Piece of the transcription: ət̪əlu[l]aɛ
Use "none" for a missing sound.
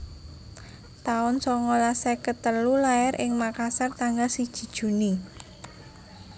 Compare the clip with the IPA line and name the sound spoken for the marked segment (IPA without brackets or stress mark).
l